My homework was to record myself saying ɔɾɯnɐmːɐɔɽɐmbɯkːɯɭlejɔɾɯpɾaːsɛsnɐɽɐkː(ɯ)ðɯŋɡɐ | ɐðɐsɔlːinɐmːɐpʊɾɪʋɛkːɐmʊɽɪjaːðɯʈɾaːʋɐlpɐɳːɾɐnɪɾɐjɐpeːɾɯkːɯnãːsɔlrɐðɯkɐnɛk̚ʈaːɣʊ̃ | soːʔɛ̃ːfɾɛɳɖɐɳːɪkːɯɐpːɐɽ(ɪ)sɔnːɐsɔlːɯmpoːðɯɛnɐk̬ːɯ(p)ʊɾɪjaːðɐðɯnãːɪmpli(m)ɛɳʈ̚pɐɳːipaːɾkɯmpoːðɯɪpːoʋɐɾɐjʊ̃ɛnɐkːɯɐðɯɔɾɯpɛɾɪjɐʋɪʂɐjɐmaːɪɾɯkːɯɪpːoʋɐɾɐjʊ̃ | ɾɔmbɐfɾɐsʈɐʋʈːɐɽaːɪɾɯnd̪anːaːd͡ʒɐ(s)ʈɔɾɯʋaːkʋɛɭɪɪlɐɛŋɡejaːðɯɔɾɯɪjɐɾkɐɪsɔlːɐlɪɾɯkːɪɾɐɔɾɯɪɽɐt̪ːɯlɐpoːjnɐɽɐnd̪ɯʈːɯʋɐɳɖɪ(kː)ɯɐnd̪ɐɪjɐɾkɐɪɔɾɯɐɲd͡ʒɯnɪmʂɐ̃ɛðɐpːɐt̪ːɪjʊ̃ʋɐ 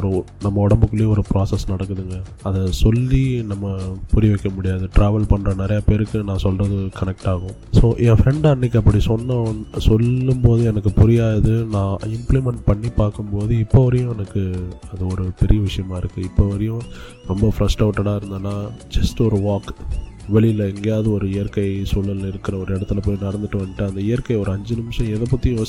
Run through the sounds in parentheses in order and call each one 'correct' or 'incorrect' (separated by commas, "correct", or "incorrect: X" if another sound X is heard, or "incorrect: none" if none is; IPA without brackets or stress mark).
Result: correct, incorrect: i, correct, correct, correct, incorrect: ʈː